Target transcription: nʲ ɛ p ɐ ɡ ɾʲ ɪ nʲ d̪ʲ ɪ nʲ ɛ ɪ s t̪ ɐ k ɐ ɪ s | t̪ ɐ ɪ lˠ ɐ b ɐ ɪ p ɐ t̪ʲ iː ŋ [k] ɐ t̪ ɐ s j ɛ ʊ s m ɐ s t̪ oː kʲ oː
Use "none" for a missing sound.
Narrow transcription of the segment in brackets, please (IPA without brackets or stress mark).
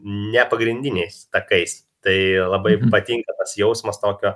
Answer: k